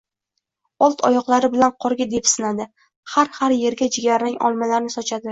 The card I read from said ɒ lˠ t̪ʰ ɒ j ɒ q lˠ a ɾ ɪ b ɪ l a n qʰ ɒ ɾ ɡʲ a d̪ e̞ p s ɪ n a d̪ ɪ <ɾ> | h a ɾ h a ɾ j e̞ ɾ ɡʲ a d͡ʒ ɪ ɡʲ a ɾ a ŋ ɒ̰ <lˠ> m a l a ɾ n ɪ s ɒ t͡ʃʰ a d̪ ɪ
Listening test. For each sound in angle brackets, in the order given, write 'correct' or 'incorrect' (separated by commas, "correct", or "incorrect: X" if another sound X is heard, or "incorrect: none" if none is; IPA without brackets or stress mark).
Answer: incorrect: none, correct